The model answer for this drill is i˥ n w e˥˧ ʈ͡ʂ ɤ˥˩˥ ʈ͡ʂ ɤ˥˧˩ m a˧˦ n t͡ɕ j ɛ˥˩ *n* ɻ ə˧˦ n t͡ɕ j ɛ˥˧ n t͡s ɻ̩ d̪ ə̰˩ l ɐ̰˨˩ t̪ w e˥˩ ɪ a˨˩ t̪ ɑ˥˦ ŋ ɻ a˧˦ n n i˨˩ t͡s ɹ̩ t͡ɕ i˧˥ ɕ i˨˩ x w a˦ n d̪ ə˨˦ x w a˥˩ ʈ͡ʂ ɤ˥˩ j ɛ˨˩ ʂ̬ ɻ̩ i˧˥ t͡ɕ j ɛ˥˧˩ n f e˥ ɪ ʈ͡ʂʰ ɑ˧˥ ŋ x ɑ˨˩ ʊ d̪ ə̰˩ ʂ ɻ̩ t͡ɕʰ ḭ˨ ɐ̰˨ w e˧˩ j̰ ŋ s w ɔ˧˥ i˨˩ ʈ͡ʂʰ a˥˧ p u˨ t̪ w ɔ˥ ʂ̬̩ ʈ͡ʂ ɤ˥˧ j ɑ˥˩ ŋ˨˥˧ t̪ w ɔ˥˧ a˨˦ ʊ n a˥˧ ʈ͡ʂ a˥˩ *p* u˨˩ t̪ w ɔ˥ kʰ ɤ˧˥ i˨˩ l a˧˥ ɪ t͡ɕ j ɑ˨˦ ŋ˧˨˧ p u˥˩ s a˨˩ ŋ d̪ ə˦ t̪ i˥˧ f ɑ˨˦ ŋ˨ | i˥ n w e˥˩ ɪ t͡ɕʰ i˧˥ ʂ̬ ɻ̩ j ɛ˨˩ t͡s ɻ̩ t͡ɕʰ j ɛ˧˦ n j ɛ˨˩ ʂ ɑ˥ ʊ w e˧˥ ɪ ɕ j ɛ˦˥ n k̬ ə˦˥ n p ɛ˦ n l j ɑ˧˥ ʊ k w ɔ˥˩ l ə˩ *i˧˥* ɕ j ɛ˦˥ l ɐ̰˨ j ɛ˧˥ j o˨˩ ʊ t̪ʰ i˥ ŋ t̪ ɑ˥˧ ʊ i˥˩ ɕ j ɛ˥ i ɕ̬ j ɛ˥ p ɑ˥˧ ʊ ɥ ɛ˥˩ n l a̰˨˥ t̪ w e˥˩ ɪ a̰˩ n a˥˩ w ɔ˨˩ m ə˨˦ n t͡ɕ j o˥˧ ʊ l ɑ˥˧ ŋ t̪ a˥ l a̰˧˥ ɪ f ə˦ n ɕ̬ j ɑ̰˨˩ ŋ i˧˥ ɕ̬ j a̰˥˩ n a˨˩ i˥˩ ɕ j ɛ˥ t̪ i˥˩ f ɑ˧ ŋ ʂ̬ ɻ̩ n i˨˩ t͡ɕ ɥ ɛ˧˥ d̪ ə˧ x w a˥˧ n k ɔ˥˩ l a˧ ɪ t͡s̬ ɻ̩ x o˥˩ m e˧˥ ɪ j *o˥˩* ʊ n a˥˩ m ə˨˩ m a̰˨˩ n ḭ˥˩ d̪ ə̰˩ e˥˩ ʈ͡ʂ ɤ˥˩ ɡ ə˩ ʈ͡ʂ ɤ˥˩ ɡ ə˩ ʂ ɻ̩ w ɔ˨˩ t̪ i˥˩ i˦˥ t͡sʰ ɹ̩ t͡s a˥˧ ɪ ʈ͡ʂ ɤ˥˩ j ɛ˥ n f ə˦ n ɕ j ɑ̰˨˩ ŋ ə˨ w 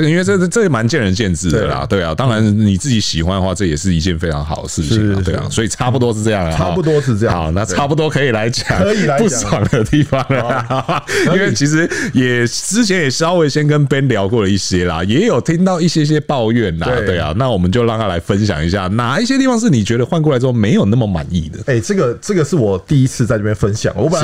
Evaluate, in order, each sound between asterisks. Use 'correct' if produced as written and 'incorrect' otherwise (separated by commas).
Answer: correct, correct, incorrect, incorrect